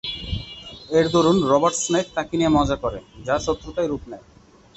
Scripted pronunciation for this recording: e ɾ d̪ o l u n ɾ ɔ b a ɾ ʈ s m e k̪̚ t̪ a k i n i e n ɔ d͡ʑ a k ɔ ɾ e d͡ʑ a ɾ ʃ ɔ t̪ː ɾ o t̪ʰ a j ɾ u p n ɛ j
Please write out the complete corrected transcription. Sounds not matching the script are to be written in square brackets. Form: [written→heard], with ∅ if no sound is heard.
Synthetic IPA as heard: e ɾ d̪ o [l→ɾ] u n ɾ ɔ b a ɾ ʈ s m e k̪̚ t̪ a k i n i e [n→m] ɔ d͡ʑ a k ɔ ɾ e d͡ʑ a ɾ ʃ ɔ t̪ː ɾ o [t̪ʰ→t̪] a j ɾ u p n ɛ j